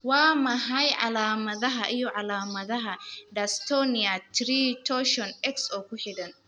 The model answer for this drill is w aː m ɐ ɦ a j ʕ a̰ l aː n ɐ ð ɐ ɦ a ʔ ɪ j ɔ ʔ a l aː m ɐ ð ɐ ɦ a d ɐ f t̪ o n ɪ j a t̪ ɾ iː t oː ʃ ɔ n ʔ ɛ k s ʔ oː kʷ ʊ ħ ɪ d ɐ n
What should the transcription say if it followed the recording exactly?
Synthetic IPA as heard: w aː m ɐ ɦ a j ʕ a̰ l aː m ɐ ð ɐ ɦ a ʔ ɪ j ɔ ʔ a l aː m ɐ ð ɐ ɦ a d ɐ s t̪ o n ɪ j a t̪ ɾ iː t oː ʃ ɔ n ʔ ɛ k s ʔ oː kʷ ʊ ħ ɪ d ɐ n

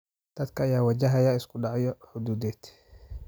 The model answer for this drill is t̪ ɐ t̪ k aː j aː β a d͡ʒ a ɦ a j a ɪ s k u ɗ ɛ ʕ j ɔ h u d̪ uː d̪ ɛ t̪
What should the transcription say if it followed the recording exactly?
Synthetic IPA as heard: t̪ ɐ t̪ k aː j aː w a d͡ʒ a ɦ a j a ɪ s k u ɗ a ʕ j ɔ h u d̪ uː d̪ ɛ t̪

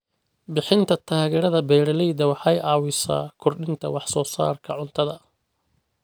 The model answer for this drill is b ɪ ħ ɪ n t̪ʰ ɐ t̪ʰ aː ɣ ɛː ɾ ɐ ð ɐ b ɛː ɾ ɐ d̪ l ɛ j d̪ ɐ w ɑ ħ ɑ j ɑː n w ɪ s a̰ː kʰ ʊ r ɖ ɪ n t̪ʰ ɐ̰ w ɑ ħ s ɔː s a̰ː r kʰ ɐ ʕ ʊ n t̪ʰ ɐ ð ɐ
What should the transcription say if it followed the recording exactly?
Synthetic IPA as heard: b ɪ ħ ɪ n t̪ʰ ɐ t̪ʰ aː ɣ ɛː ɾ ɐ ð ɐ b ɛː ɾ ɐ l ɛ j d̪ ɐ w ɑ ħ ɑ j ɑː w ɪ s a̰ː kʰ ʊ r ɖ ɪ n t̪ʰ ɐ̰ w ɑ ħ s ɔː s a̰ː r kʰ ɐ ʕ ʊ n t̪ʰ ɐ ð ɐ

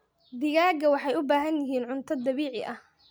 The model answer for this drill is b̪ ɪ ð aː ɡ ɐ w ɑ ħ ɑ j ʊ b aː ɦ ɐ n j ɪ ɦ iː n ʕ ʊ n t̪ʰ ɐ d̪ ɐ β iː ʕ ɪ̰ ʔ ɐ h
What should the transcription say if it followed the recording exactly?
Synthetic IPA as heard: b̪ ɪ ɣ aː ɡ ɐ w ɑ ħ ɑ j ʊ b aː ɦ ɐ n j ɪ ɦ iː n ʕ ʊ n t̪ʰ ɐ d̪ ɐ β iː ʕ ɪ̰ ʔ ɐ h

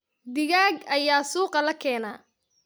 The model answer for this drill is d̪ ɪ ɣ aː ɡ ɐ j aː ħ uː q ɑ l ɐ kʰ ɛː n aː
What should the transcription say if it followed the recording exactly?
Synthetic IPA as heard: d̪ ɪ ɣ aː ɡ ɐ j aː s uː q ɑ l ɐ kʰ ɛː n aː

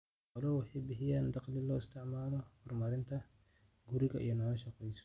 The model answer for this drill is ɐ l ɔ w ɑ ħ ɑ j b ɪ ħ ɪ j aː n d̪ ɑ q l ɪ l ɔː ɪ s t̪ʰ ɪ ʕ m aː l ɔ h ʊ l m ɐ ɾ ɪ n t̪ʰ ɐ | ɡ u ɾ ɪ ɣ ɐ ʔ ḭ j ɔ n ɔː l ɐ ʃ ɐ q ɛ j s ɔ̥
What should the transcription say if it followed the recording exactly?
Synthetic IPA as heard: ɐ l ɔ w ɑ ħ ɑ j b ɪ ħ ɪ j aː n d̪ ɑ q l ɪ l ɔː ɪ s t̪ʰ ɪ ʕ m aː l ɔ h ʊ r m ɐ ɾ ɪ n t̪ʰ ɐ | ɡ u ɾ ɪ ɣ ɐ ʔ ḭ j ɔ n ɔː l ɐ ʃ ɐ q ɛ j s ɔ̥

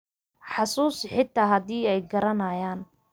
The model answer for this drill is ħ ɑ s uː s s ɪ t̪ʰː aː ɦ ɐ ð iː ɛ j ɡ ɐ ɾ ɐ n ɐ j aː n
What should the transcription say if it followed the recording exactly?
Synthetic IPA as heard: ħ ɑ s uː s ħ ɪ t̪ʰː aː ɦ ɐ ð iː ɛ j ɡ ɐ ɾ ɐ n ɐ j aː n

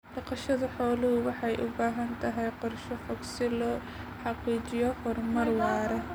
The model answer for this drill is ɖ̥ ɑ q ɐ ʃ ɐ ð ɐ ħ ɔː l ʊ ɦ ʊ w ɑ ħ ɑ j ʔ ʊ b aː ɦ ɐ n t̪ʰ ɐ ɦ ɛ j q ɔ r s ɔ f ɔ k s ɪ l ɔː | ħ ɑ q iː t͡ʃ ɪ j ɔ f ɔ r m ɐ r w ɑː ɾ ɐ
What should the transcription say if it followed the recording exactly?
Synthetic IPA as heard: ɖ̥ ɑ q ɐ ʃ ɐ ð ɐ ħ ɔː l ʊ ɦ ʊ w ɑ ħ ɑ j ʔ ʊ b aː ɦ ɐ n t̪ʰ ɐ ɦ ɛ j q ɔ r ʃ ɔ f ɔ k s ɪ l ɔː | ħ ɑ q iː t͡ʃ ɪ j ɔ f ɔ r m ɐ r w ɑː ɾ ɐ

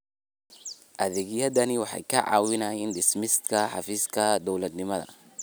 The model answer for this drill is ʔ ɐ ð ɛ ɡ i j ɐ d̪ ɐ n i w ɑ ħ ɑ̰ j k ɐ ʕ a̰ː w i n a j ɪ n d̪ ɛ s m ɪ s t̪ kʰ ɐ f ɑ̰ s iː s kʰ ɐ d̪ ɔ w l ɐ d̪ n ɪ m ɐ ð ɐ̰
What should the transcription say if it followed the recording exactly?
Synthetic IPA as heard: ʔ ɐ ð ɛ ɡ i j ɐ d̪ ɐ n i w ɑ ħ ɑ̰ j k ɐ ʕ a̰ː w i n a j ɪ n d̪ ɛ s m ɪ s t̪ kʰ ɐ ħ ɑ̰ f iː s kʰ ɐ d̪ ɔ w l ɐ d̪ n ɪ m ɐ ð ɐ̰

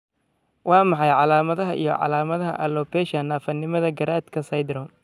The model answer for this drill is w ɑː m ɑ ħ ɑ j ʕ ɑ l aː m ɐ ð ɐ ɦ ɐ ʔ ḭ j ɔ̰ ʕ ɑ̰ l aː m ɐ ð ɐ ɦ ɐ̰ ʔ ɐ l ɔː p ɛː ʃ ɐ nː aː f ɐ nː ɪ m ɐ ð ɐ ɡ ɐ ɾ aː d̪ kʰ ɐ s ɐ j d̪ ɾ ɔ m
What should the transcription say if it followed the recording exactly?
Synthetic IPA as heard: w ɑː m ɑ ħ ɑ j ʕ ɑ l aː m ɐ ð ɐ ɦ ɐ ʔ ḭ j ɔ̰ ʕ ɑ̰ l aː m ɐ ð ɐ ɦ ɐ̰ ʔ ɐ l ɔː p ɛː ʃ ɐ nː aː f ɐ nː ɪ m ɐ ð ɐ ɡ ɐ ɾ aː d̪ kʰ ɐ s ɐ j d̪ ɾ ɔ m

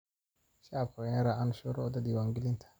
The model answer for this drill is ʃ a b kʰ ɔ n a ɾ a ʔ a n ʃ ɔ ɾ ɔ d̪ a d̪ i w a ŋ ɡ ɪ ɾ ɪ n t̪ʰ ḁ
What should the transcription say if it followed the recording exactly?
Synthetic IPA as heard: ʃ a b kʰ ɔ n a ɾ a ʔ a n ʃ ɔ ɾ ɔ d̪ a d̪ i w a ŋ ɡ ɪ l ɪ n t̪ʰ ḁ

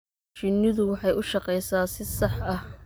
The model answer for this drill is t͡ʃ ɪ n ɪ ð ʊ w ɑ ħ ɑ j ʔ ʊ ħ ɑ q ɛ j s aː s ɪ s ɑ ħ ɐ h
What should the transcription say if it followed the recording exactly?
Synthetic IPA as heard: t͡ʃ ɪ n ɪ ð ʊ w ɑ ħ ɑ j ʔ ʊ ʃ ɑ q ɛ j s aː s ɪ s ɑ ħ ɐ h

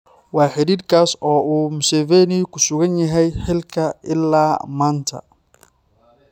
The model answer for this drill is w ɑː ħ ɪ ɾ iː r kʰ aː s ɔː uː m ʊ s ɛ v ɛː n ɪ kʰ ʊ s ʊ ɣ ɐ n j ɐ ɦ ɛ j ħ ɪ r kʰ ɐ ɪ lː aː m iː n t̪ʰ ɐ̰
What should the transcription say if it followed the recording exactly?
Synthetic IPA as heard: w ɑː ħ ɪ ɾ iː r kʰ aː s ɔː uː m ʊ s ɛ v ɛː n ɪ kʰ ʊ s ʊ ɣ ɐ n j ɐ ɦ ɛ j ħ ɪ l kʰ ɐ ɪ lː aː m aː n t̪ʰ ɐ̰

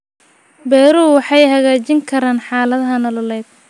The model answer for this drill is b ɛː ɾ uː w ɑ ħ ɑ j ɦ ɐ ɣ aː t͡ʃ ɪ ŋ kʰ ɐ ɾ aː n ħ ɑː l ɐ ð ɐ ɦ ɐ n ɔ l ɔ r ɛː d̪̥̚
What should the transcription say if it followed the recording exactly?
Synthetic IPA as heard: b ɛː ɾ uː w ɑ ħ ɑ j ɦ ɐ ɣ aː t͡ʃ ɪ ŋ kʰ ɐ ɾ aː n ħ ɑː l ɐ ð ɐ ɦ ɐ n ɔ l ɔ l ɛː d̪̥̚

